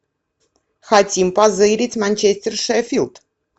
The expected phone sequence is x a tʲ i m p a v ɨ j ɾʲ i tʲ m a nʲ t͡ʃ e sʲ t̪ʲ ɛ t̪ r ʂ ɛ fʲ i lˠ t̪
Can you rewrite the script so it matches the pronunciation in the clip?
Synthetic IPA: x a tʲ i m p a z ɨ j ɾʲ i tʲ m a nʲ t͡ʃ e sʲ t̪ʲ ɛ r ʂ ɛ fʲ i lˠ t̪